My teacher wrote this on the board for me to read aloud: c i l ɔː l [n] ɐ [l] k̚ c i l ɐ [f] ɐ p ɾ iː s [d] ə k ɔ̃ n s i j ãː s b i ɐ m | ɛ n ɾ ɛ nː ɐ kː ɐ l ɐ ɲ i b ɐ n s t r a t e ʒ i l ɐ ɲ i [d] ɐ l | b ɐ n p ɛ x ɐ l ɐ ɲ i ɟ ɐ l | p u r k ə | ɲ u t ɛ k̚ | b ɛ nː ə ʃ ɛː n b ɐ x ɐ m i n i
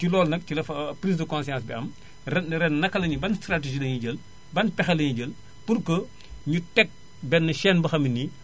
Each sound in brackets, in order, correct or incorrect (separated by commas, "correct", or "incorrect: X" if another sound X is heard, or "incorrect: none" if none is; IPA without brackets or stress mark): correct, incorrect: none, correct, correct, incorrect: ɟ